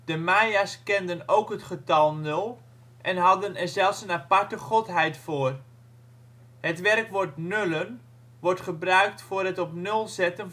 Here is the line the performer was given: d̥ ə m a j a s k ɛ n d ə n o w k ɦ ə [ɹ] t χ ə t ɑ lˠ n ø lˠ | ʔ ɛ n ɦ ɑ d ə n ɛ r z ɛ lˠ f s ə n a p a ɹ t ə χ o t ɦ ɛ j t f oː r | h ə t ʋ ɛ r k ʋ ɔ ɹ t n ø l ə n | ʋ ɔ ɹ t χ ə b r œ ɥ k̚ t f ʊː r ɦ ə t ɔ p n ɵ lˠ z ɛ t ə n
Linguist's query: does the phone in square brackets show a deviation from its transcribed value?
yes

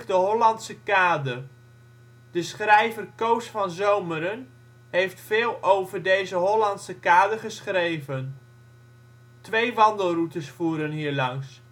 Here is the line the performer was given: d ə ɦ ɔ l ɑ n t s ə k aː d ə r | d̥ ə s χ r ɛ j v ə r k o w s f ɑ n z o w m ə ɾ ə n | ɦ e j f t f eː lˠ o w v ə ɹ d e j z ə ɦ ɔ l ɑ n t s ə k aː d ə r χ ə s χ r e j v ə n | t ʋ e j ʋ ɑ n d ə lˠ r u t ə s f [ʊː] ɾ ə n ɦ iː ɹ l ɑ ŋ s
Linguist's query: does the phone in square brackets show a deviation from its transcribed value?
yes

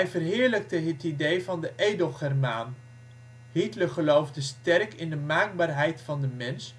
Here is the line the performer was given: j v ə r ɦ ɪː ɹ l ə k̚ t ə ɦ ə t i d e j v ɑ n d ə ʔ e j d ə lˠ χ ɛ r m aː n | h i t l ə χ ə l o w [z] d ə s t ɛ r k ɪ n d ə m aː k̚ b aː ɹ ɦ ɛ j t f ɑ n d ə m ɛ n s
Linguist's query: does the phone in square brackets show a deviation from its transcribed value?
yes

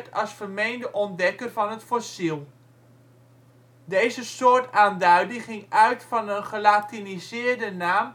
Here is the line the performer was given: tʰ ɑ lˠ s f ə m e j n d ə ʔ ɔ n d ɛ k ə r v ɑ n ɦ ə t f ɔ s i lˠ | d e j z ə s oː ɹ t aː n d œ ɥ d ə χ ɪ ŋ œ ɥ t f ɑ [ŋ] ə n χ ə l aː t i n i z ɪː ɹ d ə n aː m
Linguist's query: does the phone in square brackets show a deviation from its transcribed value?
yes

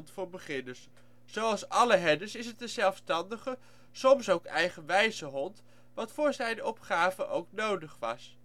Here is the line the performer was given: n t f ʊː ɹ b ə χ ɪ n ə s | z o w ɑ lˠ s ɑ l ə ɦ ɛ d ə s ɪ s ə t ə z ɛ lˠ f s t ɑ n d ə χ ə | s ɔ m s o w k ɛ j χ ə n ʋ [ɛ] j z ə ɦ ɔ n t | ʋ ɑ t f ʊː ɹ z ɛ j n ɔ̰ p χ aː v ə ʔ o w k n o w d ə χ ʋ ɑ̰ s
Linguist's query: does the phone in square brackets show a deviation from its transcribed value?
no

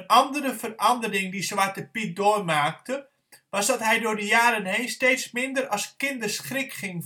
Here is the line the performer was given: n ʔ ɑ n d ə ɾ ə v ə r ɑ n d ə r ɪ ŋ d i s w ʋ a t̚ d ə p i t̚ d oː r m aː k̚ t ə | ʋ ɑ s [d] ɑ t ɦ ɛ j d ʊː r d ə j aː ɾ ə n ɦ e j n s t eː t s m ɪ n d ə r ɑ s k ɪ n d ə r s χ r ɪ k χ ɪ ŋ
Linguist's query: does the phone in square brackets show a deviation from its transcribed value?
no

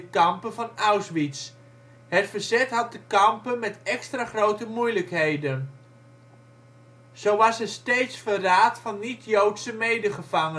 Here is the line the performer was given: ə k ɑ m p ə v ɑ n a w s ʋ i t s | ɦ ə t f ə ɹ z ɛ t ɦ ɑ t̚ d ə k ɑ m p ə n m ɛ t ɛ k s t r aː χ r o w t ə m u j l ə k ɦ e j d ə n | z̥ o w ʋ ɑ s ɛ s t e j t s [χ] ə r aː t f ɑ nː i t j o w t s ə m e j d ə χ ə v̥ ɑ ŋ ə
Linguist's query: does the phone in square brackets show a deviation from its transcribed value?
yes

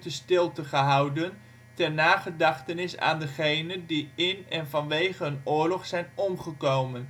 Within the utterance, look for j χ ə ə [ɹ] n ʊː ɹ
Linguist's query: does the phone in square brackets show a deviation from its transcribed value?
yes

